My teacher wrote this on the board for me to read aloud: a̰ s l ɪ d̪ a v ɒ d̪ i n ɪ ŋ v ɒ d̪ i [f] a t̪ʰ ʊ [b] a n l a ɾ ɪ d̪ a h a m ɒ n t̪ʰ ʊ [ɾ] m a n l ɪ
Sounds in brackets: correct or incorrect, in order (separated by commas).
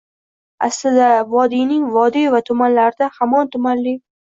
incorrect, incorrect, incorrect